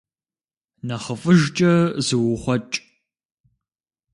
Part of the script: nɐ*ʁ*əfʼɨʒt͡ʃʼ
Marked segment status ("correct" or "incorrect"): incorrect